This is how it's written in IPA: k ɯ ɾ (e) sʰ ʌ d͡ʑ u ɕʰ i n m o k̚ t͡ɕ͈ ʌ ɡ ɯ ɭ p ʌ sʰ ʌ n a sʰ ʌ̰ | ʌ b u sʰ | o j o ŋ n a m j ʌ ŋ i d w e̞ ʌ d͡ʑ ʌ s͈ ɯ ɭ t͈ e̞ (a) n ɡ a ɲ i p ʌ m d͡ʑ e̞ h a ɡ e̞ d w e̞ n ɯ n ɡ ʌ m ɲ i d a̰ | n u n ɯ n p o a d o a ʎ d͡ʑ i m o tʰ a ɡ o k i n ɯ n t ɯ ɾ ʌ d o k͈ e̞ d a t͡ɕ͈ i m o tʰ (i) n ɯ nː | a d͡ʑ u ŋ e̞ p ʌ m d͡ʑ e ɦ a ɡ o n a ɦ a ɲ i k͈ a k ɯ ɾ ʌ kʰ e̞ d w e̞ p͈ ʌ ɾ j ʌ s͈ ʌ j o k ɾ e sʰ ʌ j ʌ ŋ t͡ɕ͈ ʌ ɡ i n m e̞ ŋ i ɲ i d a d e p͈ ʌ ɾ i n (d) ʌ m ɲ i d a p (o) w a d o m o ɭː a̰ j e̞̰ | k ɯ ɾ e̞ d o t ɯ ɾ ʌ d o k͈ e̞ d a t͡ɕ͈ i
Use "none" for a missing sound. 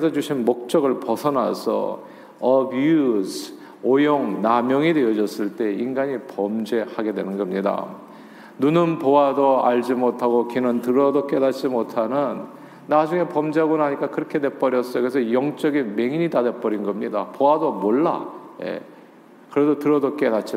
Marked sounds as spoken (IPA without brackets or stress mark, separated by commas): e, i, a, ɡ, o